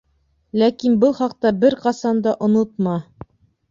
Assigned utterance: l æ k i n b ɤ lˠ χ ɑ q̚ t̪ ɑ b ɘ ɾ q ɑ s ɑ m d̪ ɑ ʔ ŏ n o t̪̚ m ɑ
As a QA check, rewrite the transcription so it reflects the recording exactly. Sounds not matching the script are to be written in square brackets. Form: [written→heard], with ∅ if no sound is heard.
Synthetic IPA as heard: l æ k i n b ɤ lˠ χ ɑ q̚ t̪ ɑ b ɘ ɾ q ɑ s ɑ [m→n] d̪ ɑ ʔ ŏ n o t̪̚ m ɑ